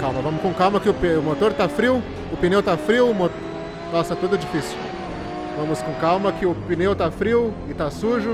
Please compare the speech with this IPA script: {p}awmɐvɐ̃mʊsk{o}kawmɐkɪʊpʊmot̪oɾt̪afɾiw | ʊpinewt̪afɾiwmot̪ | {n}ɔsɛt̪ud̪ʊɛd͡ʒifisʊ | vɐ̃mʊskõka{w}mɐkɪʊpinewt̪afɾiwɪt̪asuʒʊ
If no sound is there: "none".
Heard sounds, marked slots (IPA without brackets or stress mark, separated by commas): k, õ, n, w